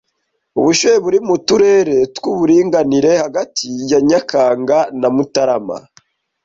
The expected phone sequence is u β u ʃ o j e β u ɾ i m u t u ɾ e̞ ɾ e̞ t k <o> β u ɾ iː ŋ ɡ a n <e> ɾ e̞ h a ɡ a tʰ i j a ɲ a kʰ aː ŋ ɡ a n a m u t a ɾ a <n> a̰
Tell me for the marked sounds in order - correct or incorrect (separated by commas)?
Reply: incorrect, incorrect, incorrect